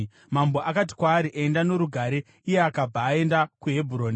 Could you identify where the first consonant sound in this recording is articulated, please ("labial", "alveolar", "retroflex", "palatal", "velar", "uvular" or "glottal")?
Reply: labial